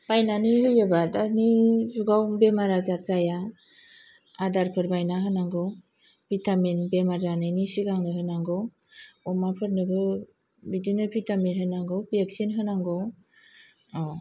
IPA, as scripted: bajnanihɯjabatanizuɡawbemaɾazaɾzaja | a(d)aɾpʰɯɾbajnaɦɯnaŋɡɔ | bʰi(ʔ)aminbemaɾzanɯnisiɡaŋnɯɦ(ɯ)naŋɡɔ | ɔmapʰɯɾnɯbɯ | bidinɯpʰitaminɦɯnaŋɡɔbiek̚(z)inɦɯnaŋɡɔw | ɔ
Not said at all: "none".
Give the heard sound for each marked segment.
d, t, ɯ, s

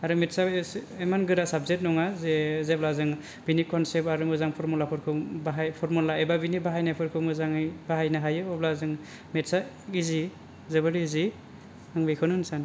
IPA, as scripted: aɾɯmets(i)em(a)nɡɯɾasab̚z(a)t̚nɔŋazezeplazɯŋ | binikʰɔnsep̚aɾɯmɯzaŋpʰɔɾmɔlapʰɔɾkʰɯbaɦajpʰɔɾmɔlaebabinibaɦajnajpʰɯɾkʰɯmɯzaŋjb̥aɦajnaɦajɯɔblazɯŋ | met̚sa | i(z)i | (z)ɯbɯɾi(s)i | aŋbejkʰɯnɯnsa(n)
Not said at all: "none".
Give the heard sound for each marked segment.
a, a, e, z, z, z, n

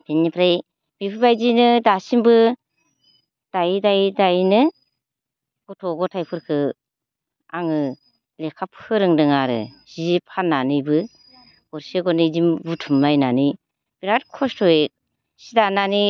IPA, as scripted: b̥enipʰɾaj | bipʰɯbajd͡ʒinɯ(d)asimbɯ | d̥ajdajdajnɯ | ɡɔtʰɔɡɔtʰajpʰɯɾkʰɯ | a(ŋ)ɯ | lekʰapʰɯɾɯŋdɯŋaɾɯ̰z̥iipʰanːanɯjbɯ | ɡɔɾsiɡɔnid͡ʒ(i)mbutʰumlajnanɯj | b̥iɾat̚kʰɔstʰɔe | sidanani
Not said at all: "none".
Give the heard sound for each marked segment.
d, ŋ, i

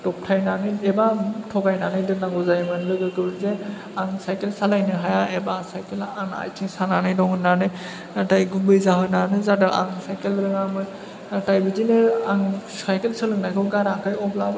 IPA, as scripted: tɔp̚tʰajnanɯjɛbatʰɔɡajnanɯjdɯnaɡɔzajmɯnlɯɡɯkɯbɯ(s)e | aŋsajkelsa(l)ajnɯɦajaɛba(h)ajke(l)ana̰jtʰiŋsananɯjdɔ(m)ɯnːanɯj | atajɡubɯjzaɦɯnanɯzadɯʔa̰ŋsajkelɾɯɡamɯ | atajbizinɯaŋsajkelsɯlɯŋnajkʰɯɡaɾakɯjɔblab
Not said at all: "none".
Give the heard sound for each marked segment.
z, l, s, l, ŋ

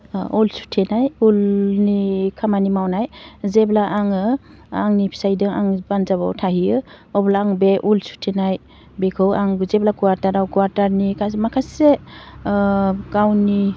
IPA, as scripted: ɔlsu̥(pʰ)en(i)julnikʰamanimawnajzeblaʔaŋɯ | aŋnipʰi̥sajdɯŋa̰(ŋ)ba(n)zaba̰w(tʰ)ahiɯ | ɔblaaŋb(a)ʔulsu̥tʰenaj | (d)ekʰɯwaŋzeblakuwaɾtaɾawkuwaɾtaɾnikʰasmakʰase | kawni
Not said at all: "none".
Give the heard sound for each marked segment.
tʰ, a, ŋ, n, tʰ, e, b

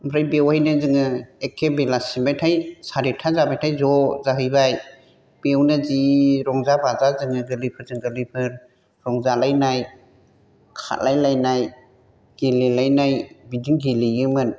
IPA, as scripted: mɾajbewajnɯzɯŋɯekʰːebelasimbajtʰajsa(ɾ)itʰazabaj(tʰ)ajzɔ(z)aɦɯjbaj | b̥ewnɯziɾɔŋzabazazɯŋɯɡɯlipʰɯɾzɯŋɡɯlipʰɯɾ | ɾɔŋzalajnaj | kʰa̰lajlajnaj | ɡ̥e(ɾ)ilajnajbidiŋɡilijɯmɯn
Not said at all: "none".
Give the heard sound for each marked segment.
ɾ, tʰ, z, l

